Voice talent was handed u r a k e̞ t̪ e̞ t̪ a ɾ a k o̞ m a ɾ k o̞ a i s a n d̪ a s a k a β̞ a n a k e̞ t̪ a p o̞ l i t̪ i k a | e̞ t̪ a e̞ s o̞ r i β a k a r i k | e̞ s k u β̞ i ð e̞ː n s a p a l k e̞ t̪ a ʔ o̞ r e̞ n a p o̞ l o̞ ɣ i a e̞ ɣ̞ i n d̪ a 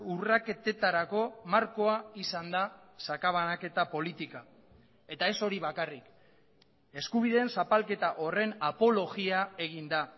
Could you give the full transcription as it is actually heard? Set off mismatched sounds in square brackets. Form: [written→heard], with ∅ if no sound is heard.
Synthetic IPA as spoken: u r a k e̞ t̪ e̞ t̪ a ɾ a k o̞ m a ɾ k o̞ a i s a n d̪ a s a k a β̞ a n a k e̞ t̪ a p o̞ l i t̪ i k a | e̞ t̪ a e̞ s o̞ [r→ɾ] i β a k a r i k | e̞ s k u β̞ i ð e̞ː n s a p a l k e̞ t̪ a ʔ o̞ r e̞ n a p o̞ l o̞ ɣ i a e̞ ɣ̞ i n d̪ a